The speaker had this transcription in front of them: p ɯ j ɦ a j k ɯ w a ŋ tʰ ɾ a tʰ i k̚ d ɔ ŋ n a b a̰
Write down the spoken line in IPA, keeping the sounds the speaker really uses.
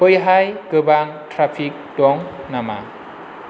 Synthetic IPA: p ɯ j ɦ a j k ɯ b a ŋ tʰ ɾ a pʰ i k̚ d ɔ ŋ n a m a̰